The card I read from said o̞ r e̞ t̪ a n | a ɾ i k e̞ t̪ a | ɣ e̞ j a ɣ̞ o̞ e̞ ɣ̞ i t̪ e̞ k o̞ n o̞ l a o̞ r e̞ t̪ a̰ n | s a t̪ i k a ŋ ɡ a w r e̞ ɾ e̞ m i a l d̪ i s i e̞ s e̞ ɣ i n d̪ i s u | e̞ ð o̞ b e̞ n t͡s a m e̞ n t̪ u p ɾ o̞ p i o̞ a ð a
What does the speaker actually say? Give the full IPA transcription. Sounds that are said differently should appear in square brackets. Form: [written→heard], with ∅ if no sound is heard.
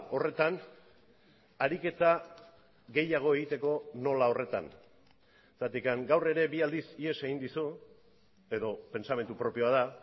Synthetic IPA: o̞ r e̞ t̪ a n | a ɾ i k e̞ t̪ a | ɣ e̞ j a ɣ̞ o̞ e̞ ɣ̞ i t̪ e̞ k o̞ n o̞ l a o̞ r e̞ t̪ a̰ n | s a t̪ i k a ŋ ɡ a w r e̞ ɾ e̞ [m→b] i a l d̪ i s i e̞ s e̞ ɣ i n d̪ i s u | e̞ ð o̞ [b→p] e̞ n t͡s a m e̞ n t̪ u p ɾ o̞ p i o̞ a ð a

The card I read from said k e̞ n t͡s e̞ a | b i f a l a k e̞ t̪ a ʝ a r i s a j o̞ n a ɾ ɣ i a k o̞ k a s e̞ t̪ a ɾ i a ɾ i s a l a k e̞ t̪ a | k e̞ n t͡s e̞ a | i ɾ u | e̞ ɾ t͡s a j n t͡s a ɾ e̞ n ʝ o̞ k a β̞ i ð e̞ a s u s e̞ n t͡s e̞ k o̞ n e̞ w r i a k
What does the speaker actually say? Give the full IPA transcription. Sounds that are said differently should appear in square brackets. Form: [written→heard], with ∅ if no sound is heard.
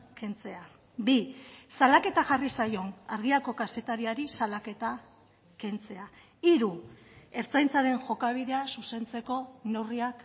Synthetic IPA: k e̞ n t͡s e̞ a | b i [f→s] a l a k e̞ t̪ a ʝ a r i s a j o̞ n a ɾ ɣ i a k o̞ k a s e̞ t̪ a ɾ i a ɾ i s a l a k e̞ t̪ a | k e̞ n t͡s e̞ a | i ɾ u | e̞ ɾ t͡s a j n t͡s a ɾ e̞ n ʝ o̞ k a β̞ i ð e̞ a s u s e̞ n t͡s e̞ k o̞ n e̞ w r i a k

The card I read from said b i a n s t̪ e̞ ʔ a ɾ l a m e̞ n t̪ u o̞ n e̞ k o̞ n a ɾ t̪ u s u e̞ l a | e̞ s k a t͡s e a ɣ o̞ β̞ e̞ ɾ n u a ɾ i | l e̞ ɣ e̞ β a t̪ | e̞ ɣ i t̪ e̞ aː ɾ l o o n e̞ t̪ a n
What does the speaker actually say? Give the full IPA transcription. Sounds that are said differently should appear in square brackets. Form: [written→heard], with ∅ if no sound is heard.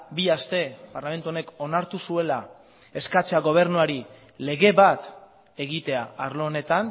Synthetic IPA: b i a [n→∅] s t̪ e̞ [ʔ→p] a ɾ l a m e̞ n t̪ u o̞ n e̞ k o̞ n a ɾ t̪ u s u e̞ l a | e̞ s k a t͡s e a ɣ o̞ β̞ e̞ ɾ n u a ɾ i | l e̞ ɣ e̞ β a t̪ | e̞ ɣ i t̪ e̞ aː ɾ l o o n e̞ t̪ a n

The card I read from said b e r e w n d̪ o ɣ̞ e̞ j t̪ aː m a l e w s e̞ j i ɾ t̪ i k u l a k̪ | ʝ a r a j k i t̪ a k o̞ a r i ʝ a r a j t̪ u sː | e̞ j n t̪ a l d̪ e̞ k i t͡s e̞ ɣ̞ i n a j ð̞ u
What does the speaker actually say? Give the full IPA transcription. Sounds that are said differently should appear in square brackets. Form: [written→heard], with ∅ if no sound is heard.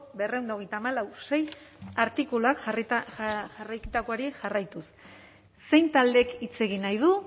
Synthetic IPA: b e r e w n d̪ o ɣ̞ e̞ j t̪ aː m a l [e→a] w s e̞ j [i→a] ɾ t̪ i k u l a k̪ | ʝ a r a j k i t̪ a k o̞ a [r→ɾ] i ʝ a r a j t̪ u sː | e̞ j n t̪ a l d̪ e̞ k i t͡s e̞ ɣ̞ i n a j ð̞ u

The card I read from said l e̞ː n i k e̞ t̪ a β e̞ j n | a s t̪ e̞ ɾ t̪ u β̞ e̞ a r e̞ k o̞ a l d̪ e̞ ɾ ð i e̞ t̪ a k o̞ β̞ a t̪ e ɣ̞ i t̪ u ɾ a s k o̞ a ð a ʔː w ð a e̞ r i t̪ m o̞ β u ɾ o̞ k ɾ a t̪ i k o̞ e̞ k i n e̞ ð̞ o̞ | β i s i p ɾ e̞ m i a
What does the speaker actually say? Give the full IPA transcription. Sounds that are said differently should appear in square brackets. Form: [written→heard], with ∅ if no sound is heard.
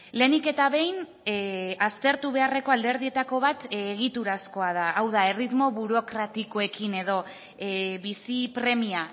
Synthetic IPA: l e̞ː n i k e̞ t̪ a β e̞ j n | a s t̪ e̞ ɾ t̪ u β̞ e̞ a r e̞ k o̞ a l d̪ e̞ ɾ ð i e̞ t̪ a k o̞ β̞ a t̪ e ɣ̞ i t̪ u ɾ a s k o̞ a ð a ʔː w ð a e̞ r i t̪ m o̞ β u ɾ o̞ k ɾ a t̪ i k o̞ e̞ k i n e̞ ð̞ o̞ | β i s i p ɾ e̞ m i a

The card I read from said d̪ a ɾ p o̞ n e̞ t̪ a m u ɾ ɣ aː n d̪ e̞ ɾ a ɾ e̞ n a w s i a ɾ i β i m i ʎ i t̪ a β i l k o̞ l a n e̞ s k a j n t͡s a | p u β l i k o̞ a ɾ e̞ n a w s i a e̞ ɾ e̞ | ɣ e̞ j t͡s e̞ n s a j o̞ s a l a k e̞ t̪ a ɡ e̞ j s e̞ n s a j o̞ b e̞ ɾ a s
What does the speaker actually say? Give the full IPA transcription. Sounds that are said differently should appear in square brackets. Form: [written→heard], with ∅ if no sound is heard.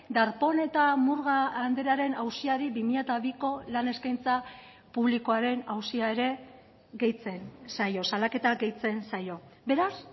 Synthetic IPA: d̪ a ɾ p o̞ n e̞ t̪ a m u ɾ ɣ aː n d̪ e̞ ɾ a ɾ e̞ n a w s i a ɾ i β i m i ʎ [i→a] t̪ a β i [l→∅] k o̞ l a n e̞ s k a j n t͡s a | p u β l i k o̞ a ɾ e̞ n a w s i a e̞ ɾ e̞ | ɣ e̞ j t͡s e̞ n s a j o̞ s a l a k e̞ t̪ a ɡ e̞ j [s→t͡s] e̞ n s a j o̞ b e̞ ɾ a s

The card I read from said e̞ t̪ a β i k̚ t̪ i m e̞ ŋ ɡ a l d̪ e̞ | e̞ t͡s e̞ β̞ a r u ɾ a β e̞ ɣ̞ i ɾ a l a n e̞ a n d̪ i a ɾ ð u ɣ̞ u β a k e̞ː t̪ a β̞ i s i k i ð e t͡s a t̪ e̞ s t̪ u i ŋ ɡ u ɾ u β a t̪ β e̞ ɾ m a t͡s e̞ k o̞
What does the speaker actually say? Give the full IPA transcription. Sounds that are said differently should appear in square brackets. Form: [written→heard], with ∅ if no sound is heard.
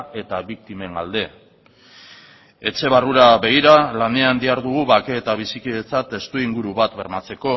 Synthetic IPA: e̞ t̪ a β i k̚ t̪ i m e̞ ŋ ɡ a l d̪ e̞ | e̞ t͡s e̞ β̞ a r u ɾ a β e̞ ɣ̞ i ɾ a l a n e̞ a n d̪ i a ɾ ð u ɣ̞ u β a k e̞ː t̪ a β̞ i s i k i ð e t͡s a t̪ e̞ s t̪ u i ŋ ɡ u ɾ u β a t̪ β e̞ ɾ m a t͡s e̞ k o̞

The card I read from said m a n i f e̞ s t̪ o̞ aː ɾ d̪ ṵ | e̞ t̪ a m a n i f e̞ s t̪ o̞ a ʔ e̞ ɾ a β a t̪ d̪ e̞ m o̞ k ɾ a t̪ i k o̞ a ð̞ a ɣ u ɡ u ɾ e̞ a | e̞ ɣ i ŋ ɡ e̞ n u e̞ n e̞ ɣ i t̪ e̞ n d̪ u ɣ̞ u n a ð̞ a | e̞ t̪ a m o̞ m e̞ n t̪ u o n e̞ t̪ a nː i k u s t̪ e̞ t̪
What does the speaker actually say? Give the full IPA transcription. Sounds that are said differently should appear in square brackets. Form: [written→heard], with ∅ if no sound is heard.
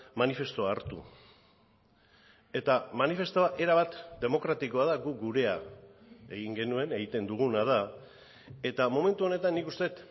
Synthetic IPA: m a n i f e̞ s t̪ o̞ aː ɾ [d̪→t̪] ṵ | e̞ t̪ a m a n i f e̞ s t̪ o̞ a ʔ e̞ ɾ a β a t̪ d̪ e̞ m o̞ k ɾ a t̪ i k o̞ a ð̞ a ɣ u ɡ u ɾ e̞ a | e̞ ɣ i ŋ ɡ e̞ n u e̞ n e̞ ɣ i t̪ e̞ n d̪ u ɣ̞ u n a ð̞ a | e̞ t̪ a m o̞ m e̞ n t̪ u o n e̞ t̪ a nː i k u s t̪ e̞ t̪

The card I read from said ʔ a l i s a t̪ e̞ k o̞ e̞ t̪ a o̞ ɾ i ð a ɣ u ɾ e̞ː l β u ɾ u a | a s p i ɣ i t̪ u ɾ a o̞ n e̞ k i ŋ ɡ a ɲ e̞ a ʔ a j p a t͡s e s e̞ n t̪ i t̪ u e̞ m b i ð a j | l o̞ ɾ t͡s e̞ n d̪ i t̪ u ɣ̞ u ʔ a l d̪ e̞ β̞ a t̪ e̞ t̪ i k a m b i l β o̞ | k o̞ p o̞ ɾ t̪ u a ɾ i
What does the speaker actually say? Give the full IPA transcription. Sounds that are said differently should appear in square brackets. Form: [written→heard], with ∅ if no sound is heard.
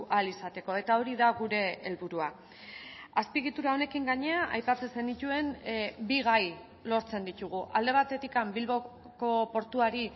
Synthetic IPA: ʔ a l i s a t̪ e̞ k o̞ e̞ t̪ a o̞ ɾ i ð a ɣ u ɾ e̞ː l β u ɾ u a | a s p i ɣ i t̪ u ɾ a o̞ n e̞ k i ŋ ɡ a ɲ e̞ a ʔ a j p a t͡s e s e̞ n [t̪→d̪] i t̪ u e̞ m b i [ð→ɣ] a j | l o̞ ɾ t͡s e̞ n d̪ i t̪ u ɣ̞ u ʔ a l d̪ e̞ β̞ a t̪ e̞ t̪ i k a m b i l β o̞ | k o̞ p o̞ ɾ t̪ u a ɾ i

